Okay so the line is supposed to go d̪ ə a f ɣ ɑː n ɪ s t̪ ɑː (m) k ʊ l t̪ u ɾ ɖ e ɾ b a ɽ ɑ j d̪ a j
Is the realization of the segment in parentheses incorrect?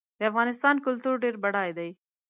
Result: yes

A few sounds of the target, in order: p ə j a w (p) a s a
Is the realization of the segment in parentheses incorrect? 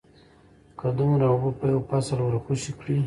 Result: no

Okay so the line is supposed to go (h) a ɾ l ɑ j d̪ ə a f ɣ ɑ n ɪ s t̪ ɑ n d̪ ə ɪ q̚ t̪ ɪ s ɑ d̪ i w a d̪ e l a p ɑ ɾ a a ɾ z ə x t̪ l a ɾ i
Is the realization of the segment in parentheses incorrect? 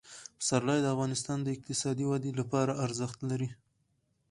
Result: yes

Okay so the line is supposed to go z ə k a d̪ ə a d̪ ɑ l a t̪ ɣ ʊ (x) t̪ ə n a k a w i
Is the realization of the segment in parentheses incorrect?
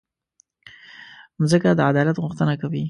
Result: no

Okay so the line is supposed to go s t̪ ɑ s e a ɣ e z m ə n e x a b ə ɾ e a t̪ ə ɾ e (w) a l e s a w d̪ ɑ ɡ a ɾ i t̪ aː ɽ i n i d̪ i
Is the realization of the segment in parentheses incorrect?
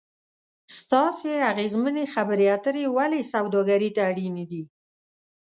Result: no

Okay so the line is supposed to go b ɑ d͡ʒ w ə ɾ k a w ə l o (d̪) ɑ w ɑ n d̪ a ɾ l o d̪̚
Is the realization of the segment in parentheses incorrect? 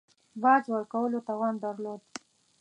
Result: yes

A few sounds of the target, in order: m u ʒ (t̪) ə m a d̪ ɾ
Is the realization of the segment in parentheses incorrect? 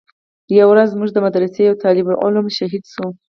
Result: yes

